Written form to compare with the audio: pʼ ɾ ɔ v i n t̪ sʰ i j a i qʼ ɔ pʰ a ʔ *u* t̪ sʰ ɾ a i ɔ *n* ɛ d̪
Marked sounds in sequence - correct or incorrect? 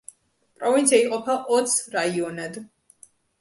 incorrect: ɔ, correct

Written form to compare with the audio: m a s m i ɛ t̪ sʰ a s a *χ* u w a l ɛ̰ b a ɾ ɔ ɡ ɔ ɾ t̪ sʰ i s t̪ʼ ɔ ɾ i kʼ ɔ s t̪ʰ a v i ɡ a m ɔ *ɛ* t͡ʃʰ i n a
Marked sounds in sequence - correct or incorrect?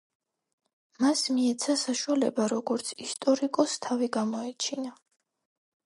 incorrect: ʃ, correct

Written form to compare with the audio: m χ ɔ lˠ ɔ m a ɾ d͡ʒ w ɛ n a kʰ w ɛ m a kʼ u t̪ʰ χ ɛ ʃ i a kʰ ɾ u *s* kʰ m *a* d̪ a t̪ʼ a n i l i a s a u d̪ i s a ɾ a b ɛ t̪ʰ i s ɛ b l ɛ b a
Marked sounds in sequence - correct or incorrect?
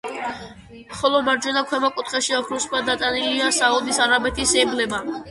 correct, correct

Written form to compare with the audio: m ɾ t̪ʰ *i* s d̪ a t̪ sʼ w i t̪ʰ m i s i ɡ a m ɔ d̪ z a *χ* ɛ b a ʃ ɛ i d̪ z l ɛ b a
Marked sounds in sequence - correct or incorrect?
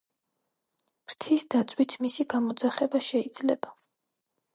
correct, correct

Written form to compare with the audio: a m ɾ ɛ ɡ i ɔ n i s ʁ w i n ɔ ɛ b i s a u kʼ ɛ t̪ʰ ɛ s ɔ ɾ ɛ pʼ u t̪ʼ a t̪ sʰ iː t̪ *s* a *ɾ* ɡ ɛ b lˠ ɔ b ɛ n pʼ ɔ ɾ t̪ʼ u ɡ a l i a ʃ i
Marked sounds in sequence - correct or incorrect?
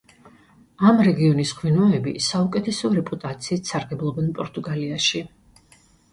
correct, correct

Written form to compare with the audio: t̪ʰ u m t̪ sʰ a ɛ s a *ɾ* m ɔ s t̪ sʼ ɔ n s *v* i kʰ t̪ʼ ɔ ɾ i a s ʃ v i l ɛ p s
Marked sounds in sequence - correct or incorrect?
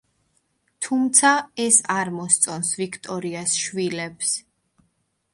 correct, correct

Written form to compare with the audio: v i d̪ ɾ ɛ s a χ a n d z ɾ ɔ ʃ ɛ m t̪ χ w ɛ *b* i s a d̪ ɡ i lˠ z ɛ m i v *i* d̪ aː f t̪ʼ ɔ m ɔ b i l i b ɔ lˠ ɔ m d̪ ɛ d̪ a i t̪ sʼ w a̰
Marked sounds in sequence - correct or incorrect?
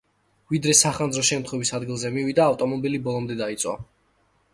incorrect: v, correct

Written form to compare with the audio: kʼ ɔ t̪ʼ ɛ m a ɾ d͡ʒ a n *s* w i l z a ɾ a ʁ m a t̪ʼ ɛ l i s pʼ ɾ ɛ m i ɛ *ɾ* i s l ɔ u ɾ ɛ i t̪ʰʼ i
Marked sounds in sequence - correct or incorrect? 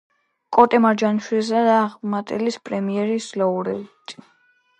incorrect: ʃ, correct

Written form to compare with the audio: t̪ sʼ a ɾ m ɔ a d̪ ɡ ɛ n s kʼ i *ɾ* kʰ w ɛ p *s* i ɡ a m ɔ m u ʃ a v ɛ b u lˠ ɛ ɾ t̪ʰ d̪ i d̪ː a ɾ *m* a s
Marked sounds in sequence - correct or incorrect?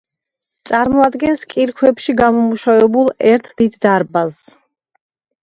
correct, incorrect: ʃ, incorrect: b

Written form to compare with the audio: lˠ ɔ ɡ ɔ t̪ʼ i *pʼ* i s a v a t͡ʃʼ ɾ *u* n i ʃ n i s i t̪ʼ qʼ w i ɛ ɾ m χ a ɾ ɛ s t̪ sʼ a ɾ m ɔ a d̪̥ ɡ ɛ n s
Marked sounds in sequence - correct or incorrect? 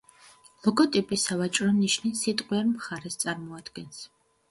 correct, incorrect: ɔ

